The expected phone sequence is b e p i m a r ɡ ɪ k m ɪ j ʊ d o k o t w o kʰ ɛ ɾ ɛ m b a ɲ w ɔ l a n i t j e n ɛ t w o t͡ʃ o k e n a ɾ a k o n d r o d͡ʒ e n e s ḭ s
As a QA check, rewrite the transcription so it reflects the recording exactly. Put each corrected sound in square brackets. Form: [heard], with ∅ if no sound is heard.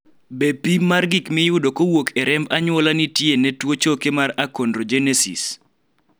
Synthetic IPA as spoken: b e p i m a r ɡ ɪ k m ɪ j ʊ d o k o [∅] w o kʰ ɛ ɾ ɛ m b a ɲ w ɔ l a n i t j e n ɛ t w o t͡ʃ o k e [m] a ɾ a k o n d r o d͡ʒ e n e s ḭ s

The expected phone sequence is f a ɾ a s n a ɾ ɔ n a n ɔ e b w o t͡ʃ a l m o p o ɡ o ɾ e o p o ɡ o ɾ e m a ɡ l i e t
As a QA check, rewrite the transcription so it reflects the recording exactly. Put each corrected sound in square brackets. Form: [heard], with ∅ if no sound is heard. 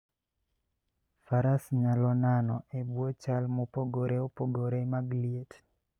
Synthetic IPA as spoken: f a ɾ a s [ɲ] a [l] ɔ n a n ɔ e b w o t͡ʃ a l m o p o ɡ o ɾ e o p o ɡ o ɾ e m a ɡ l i e t

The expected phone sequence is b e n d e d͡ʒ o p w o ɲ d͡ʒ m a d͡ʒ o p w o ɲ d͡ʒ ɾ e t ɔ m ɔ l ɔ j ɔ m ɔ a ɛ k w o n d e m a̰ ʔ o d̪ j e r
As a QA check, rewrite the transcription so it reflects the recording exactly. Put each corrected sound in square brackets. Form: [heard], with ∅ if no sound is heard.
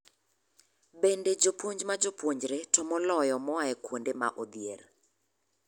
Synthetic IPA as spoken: b e n d e d͡ʒ o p w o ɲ d͡ʒ m a d͡ʒ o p w o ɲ d͡ʒ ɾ e t ɔ m ɔ l ɔ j ɔ m ɔ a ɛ k w o n d e m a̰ ʔ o d̪ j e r

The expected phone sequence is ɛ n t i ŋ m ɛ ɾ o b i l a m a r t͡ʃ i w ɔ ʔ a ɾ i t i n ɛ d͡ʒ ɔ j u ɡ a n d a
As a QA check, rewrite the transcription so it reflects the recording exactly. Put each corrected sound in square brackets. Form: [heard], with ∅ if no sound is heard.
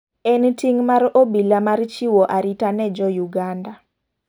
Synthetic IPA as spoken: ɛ n t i ŋ m [a] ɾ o b i l a m a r t͡ʃ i w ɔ ʔ a ɾ i t [a] n ɛ d͡ʒ ɔ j u ɡ a n d a

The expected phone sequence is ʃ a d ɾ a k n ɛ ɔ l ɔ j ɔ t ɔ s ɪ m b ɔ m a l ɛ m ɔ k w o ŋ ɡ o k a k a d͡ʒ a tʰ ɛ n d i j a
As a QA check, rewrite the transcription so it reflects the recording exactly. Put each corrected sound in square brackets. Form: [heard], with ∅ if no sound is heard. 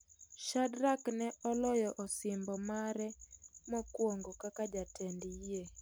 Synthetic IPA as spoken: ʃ a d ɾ a k n ɛ ɔ l ɔ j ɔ [ʔ] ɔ s ɪ m b ɔ m a [ɾ] ɛ m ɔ k w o ŋ ɡ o k a k a d͡ʒ a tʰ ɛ n d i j [e]

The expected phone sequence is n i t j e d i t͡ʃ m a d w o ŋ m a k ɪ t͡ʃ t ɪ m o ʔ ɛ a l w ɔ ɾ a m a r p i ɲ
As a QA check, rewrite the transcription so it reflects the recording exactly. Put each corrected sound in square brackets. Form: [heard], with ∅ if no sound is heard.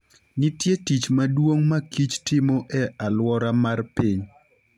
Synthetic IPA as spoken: n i t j e [t] i t͡ʃ m a d w o ŋ m a k [i] t͡ʃ t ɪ m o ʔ ɛ a l w ɔ ɾ a m a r p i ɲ

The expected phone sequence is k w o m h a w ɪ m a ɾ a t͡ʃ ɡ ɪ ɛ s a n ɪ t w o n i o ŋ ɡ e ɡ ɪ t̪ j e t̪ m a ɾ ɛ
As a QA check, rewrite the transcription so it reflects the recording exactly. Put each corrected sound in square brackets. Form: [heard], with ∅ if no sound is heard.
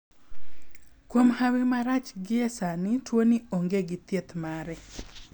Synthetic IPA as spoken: k w o m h a w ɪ m a ɾ a t͡ʃ ɡ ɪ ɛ s a n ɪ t w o n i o ŋ ɡ e ɡ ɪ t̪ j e t̪ m a ɾ ɛ

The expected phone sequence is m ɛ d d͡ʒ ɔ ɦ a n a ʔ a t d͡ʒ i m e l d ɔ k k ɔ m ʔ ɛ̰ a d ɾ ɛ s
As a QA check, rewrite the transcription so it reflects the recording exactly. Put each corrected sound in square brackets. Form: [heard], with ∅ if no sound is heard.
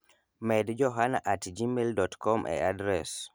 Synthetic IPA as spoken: m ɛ d d͡ʒ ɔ ɦ a n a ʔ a t d͡ʒ i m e l d ɔ [t] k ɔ m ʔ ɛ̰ a d ɾ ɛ s

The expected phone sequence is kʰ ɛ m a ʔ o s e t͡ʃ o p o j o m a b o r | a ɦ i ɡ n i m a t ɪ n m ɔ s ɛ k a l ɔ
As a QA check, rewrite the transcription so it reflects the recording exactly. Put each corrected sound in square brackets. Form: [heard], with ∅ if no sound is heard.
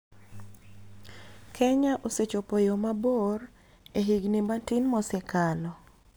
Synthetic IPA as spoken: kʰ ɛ [ɲ] a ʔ o s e t͡ʃ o p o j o m a b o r | [e] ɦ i ɡ n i m a t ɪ n m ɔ s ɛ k a l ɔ

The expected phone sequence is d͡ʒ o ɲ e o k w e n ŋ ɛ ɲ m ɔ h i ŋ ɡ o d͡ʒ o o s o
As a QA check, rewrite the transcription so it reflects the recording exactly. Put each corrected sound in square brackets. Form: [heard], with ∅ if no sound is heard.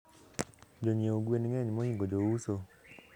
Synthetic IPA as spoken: d͡ʒ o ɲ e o [ɡ] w e n ŋ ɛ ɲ m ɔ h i ŋ ɡ o d͡ʒ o [u] s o

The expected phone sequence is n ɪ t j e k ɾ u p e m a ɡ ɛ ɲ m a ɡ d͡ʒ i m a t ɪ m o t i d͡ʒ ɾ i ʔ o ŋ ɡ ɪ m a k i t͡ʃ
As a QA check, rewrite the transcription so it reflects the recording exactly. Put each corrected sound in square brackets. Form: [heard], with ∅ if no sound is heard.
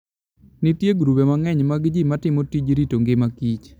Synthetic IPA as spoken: n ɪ t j e [ɡ] ɾ u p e m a [ŋ] ɛ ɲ m a ɡ d͡ʒ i m a t ɪ m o t i d͡ʒ ɾ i [t] o ŋ ɡ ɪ m a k i t͡ʃ

